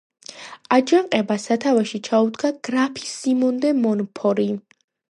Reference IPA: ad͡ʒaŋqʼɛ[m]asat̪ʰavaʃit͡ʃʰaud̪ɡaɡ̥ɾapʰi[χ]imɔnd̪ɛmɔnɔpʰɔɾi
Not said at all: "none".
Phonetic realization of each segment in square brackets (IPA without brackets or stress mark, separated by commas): b, s